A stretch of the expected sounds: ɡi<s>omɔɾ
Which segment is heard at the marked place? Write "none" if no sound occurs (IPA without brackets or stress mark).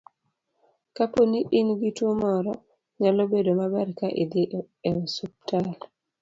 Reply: t